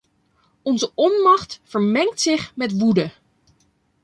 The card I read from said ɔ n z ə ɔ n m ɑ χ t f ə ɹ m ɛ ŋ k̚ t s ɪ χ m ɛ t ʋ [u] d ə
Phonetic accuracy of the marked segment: correct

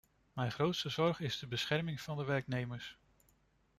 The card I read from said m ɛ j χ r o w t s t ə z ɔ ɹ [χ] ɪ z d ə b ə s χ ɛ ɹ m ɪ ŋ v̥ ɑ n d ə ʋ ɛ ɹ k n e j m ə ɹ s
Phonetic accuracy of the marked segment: correct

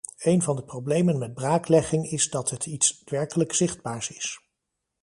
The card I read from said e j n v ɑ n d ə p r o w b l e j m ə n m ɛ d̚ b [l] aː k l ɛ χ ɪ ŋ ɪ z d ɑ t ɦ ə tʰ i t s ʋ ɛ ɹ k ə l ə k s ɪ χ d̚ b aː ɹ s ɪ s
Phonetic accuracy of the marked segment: incorrect: r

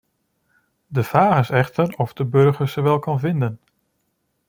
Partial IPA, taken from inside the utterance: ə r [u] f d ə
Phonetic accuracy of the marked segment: incorrect: ɔ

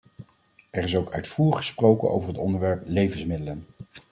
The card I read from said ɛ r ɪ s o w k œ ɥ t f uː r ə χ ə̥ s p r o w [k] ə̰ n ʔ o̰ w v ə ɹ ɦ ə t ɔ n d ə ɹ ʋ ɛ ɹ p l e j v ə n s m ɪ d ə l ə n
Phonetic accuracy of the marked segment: correct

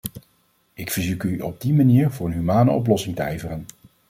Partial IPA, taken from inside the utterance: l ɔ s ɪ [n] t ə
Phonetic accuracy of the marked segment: incorrect: ŋ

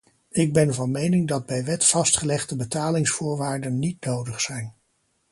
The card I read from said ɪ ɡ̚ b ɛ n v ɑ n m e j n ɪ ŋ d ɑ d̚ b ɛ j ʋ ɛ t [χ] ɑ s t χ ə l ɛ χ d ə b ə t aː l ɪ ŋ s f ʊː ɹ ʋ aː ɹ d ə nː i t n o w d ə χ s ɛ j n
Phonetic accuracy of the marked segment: incorrect: f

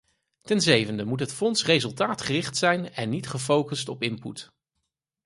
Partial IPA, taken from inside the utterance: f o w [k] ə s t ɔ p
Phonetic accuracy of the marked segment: correct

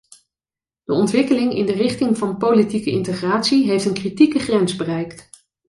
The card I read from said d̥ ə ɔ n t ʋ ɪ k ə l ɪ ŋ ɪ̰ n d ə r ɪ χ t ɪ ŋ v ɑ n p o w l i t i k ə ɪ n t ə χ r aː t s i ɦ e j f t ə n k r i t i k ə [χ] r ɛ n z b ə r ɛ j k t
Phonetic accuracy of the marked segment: correct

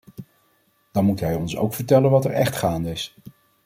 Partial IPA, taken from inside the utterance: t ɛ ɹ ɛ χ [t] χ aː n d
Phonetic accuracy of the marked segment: correct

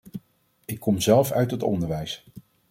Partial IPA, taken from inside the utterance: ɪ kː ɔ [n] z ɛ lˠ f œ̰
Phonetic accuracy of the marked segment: incorrect: m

